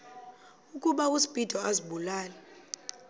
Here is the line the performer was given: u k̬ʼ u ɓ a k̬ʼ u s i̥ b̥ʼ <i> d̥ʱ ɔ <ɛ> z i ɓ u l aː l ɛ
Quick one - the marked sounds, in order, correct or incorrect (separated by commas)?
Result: correct, incorrect